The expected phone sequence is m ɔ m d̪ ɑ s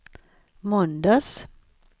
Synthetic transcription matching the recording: m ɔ n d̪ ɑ s